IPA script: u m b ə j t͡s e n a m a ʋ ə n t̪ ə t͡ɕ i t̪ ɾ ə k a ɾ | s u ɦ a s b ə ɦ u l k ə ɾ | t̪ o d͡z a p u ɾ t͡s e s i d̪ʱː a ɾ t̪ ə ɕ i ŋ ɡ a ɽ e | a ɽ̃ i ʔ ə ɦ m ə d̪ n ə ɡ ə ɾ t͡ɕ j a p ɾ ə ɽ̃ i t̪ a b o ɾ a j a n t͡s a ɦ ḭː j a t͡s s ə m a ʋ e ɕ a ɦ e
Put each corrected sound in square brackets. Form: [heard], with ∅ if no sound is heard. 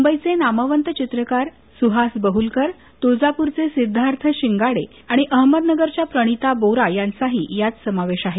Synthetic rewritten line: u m b ə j t͡s e n a m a ʋ ə n t̪ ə t͡ɕ i t̪ ɾ ə k a ɾ | s u ɦ a s b ə ɦ u l k ə ɾ | t̪ o d͡z a p u ɾ t͡s e s i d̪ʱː a ɾ [t̪ʰ] ə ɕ i ŋ ɡ a ɽ e | a ɽ̃ i ʔ ə ɦ m ə d̪ n ə ɡ ə ɾ t͡ɕ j a p ɾ ə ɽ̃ i t̪ a b o ɾ a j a n t͡s a ɦ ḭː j a t͡s s ə m a ʋ e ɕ a ɦ e

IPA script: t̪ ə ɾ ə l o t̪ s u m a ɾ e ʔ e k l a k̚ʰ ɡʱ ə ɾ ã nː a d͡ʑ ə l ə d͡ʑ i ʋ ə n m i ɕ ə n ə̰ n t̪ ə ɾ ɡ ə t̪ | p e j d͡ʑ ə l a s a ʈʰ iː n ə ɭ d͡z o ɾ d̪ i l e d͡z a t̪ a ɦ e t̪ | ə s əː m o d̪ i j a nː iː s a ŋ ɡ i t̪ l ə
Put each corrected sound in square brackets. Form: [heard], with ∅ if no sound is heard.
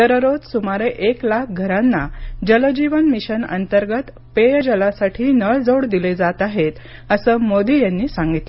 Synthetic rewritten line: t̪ ə ɾ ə [ɾ] o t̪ s u m a ɾ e ʔ e k l a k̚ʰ ɡʱ ə ɾ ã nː a d͡ʑ ə l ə d͡ʑ i ʋ ə n m i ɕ ə n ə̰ n t̪ ə ɾ ɡ ə t̪ | p e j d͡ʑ ə l a s a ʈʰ iː n ə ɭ d͡z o [ɽ] d̪ i l e d͡z a t̪ a ɦ e t̪ | ə s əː m o d̪ i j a nː iː s a ŋ ɡ i t̪ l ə

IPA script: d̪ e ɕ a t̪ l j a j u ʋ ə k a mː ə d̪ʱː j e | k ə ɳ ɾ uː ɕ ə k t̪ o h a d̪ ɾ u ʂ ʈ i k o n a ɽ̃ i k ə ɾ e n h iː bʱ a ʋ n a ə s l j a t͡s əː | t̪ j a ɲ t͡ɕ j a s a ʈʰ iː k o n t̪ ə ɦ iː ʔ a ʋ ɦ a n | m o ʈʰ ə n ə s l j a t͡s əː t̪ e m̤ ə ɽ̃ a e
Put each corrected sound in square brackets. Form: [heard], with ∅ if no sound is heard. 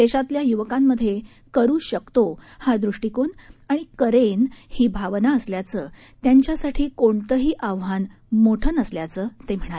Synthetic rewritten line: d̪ e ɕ a t̪ l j a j u ʋ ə k a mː ə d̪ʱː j e | k ə [∅] ɾ uː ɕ ə k t̪ o h a d̪ ɾ u ʂ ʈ i k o n a ɽ̃ i k ə ɾ e n h iː bʱ a ʋ n a ə s l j a t͡s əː | t̪ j a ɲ t͡ɕ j a s a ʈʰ iː k o [ɳ] t̪ ə ɦ iː ʔ a ʋ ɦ a n | m o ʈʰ ə n ə s l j a t͡s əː t̪ e m̤ ə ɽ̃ a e

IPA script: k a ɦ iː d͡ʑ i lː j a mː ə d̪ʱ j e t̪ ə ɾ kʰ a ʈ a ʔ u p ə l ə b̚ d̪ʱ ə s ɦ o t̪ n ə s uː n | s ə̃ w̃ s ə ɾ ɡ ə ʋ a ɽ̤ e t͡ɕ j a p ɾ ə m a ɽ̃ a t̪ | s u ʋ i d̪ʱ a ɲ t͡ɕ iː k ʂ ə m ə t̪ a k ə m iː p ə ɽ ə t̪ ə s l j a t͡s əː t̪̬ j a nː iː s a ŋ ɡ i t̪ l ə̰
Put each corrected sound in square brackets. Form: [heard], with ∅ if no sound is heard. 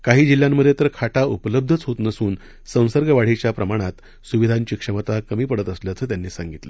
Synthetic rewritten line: k a ɦ iː d͡ʑ i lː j a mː ə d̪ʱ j e t̪ ə ɾ kʰ a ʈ a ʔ u p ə l ə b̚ d̪ʱ ə [t͡s] ɦ o t̪ n ə s uː n | s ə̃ w̃ s ə ɾ ɡ ə ʋ a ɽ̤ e t͡ɕ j a p ɾ ə m a ɽ̃ a t̪ | s u ʋ i d̪ʱ a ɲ t͡ɕ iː k ʂ ə m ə t̪ a k ə m iː p ə ɽ ə t̪ ə s l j a t͡s əː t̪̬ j a nː iː s a ŋ ɡ i t̪ l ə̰

